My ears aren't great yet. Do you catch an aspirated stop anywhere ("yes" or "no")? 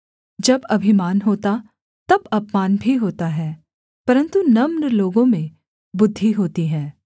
no